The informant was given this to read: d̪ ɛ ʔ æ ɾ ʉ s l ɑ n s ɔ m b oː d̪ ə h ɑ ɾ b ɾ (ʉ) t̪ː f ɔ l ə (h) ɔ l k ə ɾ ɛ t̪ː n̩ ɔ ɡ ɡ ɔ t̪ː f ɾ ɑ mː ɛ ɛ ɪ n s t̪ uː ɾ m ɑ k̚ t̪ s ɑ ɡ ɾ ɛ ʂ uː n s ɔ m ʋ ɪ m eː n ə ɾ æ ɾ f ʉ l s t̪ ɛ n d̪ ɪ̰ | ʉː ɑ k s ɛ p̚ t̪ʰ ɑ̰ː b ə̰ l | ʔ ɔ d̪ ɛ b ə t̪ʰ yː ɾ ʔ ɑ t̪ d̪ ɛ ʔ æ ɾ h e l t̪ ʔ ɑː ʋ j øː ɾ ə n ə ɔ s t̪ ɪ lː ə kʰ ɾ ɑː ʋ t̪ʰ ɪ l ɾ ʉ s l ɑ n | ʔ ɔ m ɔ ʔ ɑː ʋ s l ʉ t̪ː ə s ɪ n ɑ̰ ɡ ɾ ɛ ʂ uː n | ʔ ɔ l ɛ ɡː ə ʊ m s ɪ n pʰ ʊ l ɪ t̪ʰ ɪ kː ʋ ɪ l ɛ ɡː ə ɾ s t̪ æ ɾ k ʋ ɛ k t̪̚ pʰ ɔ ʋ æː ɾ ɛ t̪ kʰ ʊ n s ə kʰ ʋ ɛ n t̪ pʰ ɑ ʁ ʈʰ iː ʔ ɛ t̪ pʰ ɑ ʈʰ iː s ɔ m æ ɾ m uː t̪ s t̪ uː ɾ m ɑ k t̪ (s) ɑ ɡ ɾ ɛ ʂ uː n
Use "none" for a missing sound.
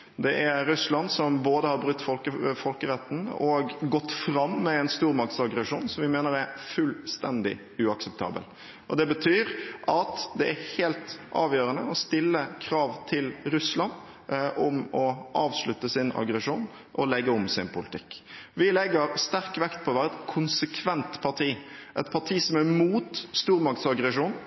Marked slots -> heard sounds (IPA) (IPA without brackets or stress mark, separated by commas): ʉ, f, s